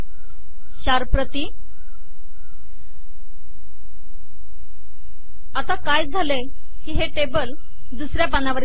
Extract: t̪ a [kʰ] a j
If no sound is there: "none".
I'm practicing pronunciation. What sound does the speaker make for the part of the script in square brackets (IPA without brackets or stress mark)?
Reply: k